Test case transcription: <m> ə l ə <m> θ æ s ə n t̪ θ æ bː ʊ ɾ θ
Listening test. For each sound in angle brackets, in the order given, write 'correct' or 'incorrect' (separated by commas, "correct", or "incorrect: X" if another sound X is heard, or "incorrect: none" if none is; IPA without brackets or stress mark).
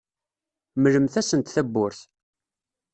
correct, correct